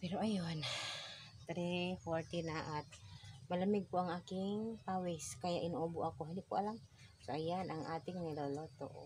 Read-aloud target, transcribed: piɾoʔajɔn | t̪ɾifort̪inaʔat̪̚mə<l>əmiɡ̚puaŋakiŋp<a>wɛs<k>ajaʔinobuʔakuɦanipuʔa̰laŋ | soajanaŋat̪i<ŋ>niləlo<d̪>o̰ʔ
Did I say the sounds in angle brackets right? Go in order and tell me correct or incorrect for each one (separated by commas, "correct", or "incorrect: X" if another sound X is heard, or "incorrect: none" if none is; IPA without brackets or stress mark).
correct, correct, correct, correct, incorrect: t̪